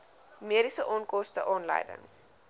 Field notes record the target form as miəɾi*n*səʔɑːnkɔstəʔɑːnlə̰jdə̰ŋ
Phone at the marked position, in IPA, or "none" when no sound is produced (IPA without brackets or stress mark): none